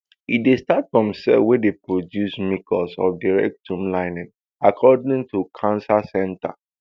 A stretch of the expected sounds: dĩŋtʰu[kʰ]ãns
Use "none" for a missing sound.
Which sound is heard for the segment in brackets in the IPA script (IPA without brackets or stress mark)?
kʰ